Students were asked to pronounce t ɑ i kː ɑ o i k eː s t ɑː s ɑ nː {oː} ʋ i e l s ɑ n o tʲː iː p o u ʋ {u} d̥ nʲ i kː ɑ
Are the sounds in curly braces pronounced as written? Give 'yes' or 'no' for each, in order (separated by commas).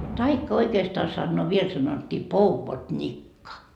yes, no